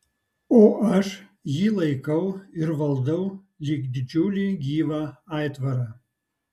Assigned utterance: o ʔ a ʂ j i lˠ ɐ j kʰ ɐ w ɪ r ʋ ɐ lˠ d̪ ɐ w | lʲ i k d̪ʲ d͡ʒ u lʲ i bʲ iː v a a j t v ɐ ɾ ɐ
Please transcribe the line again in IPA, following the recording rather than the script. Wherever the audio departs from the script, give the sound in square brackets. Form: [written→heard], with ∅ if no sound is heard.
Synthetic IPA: o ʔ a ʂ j i lˠ ɐ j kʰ ɐ w ɪ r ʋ ɐ lˠ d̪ ɐ w | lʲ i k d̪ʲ d͡ʒ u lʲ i [bʲ→ɡʲ] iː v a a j t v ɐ ɾ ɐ